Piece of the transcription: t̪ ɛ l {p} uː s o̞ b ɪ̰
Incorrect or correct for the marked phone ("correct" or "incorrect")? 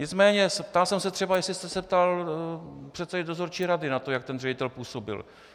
correct